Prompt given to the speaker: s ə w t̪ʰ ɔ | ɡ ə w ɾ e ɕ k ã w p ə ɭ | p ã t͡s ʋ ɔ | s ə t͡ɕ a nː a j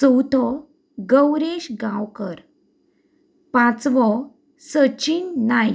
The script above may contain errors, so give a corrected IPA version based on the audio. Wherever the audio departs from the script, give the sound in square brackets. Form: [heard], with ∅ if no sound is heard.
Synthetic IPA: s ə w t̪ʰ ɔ | ɡ ə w ɾ e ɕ [ɡ] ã w [k] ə [ɾ] | p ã t͡s ʋ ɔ | s ə t͡ɕ [i] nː a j

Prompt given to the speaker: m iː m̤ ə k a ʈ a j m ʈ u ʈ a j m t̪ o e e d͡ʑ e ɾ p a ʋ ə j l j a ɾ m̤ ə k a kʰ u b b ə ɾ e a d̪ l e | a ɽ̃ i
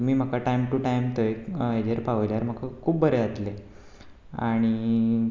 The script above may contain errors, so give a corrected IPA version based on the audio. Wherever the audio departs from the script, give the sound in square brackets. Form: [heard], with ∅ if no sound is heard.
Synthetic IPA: m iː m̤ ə k a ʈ a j m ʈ u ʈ a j m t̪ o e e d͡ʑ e ɾ p a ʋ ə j l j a ɾ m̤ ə k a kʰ [uː] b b ə ɾ e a [t̪] l e | a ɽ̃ i

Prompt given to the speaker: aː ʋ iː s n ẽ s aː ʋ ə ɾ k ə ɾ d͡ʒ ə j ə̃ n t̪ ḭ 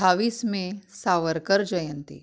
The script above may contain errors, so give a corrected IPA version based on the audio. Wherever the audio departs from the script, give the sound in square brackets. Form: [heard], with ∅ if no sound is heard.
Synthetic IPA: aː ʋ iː s [m] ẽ s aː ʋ ə ɾ k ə ɾ d͡ʒ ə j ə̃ n t̪ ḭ

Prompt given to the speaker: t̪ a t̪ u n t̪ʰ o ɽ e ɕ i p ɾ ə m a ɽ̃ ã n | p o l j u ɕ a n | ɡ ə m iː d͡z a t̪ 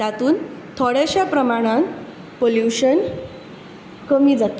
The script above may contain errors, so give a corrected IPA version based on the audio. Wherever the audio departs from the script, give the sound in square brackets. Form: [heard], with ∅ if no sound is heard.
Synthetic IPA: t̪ a t̪ [uː] n t̪ʰ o ɽ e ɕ [a] p ɾ ə m a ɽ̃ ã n | p o l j u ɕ [ə] n | [k] ə m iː d͡z a t̪

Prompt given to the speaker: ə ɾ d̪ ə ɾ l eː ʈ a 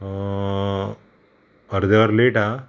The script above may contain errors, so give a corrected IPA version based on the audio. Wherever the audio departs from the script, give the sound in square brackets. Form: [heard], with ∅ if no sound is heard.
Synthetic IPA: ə ɾ d̪ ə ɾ l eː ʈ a

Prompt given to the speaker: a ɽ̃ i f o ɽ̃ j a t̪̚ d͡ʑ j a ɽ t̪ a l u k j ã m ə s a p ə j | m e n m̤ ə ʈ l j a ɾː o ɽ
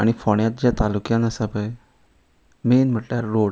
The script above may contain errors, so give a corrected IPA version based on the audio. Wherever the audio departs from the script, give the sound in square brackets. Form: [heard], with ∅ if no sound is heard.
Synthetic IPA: a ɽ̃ i f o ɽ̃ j a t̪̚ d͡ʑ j a [∅] t̪ a l u k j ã [n] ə s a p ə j | m e n m̤ ə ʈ l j a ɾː o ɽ

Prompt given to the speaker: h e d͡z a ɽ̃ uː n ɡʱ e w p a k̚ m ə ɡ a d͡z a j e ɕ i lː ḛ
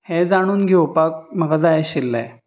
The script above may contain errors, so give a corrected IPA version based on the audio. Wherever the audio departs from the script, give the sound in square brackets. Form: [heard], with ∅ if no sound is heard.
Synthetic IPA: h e d͡z a ɽ̃ uː n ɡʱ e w p a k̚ m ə ɡ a d͡z a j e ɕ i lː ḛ

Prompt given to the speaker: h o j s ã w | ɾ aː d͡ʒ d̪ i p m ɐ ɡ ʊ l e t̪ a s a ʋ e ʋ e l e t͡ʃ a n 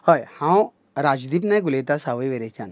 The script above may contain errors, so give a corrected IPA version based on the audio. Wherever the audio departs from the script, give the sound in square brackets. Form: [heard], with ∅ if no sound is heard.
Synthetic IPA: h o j [h] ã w | ɾ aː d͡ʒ d̪ i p [n] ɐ ɡ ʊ l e t̪ a s a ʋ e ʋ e [ɾ] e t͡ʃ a n

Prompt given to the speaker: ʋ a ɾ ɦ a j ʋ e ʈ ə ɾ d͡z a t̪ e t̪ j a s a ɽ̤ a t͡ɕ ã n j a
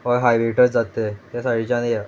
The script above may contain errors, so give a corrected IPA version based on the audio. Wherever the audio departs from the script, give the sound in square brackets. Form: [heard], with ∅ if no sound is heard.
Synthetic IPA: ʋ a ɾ ɦ a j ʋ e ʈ ə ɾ d͡z a t̪ e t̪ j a s a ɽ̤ [i] t͡ɕ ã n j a

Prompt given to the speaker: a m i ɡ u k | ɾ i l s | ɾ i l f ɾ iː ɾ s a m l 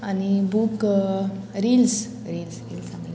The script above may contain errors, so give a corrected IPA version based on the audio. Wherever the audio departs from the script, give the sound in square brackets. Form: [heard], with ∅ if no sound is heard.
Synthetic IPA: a [n] i [b] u k | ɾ i l s | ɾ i l [s] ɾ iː [l] s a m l

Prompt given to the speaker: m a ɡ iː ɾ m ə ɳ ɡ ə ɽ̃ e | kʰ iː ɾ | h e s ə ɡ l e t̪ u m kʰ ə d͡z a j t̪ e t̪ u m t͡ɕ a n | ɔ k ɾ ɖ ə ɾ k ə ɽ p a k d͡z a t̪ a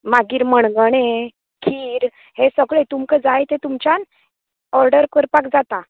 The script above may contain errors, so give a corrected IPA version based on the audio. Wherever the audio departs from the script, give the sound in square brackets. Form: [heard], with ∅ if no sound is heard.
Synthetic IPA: m a ɡ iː ɾ m ə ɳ ɡ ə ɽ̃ e | kʰ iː ɾ | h e s ə ɡ [ɭ] e t̪ u m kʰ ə d͡z a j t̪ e t̪ u m t͡ɕ a n | ɔ [∅] ɾ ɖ ə ɾ k ə [ɾ] p a k d͡z a t̪ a

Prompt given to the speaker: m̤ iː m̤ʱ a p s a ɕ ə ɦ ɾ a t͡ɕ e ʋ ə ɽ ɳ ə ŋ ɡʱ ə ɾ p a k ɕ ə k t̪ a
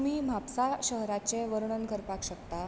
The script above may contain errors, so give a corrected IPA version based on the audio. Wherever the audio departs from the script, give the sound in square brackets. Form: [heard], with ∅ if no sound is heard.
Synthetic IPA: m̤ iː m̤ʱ a p s a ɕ ə ɦ ɾ a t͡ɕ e ʋ ə [ɾ] ɳ ə [n] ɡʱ ə ɾ p a k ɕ ə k t̪ a

